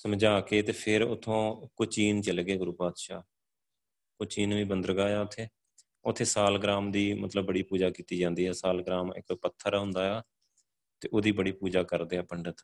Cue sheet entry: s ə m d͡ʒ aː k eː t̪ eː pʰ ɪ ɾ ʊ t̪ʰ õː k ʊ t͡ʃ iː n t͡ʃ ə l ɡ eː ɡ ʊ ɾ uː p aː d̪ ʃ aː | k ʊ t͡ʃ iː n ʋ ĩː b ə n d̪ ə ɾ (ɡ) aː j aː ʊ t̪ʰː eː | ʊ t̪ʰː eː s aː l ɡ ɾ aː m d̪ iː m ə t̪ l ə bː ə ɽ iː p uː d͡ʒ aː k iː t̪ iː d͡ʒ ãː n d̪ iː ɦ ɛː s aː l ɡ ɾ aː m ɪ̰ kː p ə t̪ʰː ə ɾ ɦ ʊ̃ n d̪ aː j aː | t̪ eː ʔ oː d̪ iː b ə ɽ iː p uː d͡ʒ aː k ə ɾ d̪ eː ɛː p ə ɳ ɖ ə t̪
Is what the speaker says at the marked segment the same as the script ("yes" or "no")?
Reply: yes